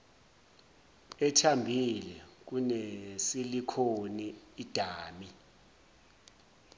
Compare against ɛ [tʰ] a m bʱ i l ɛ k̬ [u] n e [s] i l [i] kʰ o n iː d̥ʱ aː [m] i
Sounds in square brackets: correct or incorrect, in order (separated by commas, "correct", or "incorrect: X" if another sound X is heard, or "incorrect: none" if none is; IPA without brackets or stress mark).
correct, correct, correct, correct, correct